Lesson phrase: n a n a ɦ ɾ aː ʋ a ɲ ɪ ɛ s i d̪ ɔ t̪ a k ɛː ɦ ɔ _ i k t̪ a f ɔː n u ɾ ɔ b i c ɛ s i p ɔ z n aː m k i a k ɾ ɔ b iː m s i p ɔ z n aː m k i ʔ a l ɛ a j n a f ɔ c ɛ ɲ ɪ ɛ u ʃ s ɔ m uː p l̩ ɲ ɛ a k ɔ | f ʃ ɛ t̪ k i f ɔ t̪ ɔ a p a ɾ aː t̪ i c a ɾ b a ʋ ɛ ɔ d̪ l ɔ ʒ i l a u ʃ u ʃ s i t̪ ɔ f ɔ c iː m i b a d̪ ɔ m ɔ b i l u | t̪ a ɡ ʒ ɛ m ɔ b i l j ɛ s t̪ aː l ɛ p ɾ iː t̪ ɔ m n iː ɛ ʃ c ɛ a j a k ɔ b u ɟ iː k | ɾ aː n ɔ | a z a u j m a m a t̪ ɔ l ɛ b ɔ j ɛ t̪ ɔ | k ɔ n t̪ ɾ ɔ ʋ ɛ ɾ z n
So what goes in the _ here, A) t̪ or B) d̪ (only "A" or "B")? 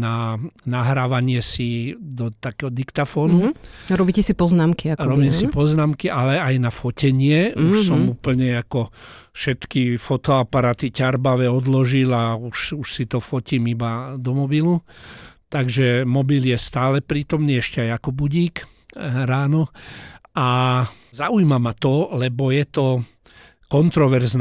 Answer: B